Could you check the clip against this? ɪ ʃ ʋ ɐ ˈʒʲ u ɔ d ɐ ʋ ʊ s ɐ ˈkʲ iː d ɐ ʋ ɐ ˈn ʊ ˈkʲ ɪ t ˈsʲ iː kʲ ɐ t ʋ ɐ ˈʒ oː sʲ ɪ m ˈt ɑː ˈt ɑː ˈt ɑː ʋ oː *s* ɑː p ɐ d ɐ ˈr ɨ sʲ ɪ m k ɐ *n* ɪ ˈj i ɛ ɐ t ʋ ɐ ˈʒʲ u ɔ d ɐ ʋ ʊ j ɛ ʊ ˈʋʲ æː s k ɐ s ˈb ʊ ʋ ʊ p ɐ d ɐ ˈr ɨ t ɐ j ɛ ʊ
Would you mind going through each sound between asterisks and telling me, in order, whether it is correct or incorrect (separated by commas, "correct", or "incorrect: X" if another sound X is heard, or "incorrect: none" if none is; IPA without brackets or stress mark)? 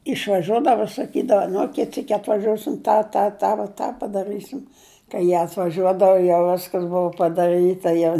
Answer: incorrect: t, incorrect: none